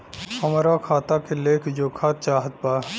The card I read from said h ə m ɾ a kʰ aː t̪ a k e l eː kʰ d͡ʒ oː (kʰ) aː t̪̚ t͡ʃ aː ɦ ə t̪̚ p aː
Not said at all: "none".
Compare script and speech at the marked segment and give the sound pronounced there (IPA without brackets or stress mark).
kʰ